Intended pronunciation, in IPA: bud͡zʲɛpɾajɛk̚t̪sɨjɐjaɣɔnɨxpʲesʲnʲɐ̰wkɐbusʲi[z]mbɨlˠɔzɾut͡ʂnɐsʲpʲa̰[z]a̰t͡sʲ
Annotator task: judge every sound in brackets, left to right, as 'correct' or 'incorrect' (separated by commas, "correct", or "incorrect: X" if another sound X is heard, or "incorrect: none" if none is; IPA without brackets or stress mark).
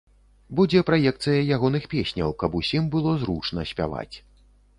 incorrect: none, incorrect: v